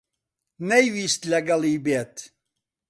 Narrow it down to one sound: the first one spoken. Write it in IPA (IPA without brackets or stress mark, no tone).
n